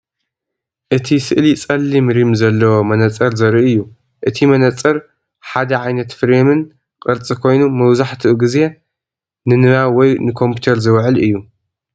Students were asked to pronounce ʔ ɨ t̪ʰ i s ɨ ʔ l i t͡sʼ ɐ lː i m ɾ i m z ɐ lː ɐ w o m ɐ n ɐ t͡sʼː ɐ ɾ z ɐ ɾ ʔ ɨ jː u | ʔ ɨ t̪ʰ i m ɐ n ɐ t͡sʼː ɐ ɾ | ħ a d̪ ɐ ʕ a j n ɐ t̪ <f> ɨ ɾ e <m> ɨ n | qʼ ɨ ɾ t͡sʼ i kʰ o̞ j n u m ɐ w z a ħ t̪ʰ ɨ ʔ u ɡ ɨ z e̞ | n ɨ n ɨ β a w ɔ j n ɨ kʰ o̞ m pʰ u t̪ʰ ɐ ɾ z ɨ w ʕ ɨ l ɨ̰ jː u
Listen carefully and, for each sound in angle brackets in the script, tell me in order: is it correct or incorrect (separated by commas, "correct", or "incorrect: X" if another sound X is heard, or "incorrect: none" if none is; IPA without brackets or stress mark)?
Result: correct, correct